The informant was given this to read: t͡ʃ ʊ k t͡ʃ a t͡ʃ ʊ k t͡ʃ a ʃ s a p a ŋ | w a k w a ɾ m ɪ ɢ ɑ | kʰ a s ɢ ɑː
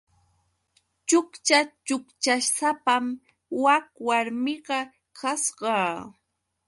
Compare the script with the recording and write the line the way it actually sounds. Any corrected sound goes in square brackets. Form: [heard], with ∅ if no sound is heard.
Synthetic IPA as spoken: t͡ʃ ʊ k t͡ʃ a t͡ʃ ʊ k t͡ʃ a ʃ s a p a [m] | w a k w a ɾ m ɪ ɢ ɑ | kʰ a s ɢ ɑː